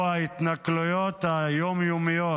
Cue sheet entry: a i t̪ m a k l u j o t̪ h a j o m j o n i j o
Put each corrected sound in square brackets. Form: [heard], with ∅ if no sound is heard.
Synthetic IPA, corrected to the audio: a i t̪ [n] a k l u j o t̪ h a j o m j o [m] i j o